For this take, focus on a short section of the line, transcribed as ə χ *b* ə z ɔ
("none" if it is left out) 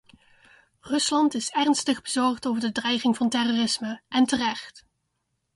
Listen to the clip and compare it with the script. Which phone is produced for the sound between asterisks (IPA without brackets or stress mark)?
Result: b